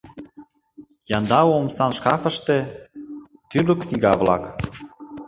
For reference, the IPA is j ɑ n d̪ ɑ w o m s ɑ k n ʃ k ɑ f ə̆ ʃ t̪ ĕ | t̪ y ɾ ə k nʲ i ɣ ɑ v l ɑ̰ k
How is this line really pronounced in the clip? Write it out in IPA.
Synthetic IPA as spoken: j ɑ n d̪ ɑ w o m s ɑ n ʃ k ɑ f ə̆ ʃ t̪ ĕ | t̪ y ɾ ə k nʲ i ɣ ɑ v l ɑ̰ k